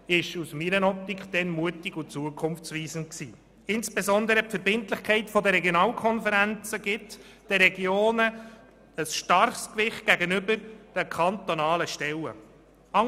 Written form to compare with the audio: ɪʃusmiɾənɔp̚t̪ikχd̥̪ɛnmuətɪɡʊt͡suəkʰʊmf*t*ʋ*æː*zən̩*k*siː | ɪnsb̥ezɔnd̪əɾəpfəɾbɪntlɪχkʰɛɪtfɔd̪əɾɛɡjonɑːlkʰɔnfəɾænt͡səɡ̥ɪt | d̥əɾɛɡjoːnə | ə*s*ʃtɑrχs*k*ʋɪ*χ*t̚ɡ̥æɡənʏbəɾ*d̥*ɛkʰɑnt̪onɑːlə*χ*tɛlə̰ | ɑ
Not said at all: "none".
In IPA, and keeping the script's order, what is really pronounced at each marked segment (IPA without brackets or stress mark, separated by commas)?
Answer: t͡s, iː, k, s, k, χ, d̥, ʃ